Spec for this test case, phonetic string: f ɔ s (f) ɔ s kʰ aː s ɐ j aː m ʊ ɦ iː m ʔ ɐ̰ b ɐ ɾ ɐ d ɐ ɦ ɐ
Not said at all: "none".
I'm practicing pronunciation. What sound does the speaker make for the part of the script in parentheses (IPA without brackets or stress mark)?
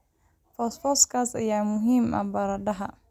f